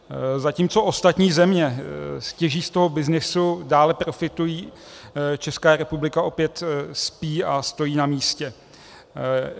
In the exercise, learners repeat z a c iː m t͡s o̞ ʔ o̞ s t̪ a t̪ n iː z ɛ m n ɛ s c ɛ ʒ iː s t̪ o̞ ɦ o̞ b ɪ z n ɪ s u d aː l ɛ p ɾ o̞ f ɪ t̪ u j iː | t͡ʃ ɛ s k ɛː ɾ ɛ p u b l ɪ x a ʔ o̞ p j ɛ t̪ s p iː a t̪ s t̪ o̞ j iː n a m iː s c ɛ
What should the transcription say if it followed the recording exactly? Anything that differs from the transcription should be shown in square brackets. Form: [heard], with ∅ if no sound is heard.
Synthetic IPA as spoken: z a c iː m t͡s o̞ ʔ o̞ s t̪ a t̪ [ɲ] iː z ɛ m [ɲ] ɛ s c ɛ ʒ iː s t̪ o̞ ɦ o̞ b ɪ z n ɪ s u d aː l ɛ p ɾ o̞ f ɪ t̪ u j iː | t͡ʃ ɛ s k [aː] ɾ ɛ p u b l ɪ [k] a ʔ o̞ p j ɛ t̪ s p iː a [∅] s t̪ o̞ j iː n a m iː s c ɛ